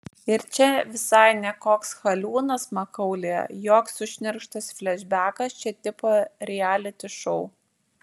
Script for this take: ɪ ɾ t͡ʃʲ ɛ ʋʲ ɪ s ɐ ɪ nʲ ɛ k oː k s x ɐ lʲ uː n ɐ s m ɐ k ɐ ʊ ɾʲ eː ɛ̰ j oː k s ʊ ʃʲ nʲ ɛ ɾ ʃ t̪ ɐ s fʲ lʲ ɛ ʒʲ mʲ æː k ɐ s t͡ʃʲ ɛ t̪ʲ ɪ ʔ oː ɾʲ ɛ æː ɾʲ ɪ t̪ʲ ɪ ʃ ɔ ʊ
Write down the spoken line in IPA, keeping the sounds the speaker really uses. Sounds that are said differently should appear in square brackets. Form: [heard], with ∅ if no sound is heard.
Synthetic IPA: ɪ ɾ t͡ʃʲ ɛ ʋʲ ɪ s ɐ ɪ nʲ ɛ k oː k s x ɐ lʲ uː n ɐ s m ɐ k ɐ ʊ [lʲ] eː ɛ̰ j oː k s ʊ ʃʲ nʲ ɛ ɾ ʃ t̪ ɐ s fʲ lʲ ɛ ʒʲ [bʲ] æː k ɐ s t͡ʃʲ ɛ t̪ʲ ɪ [p] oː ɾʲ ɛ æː [lʲ] ɪ t̪ʲ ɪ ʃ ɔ ʊ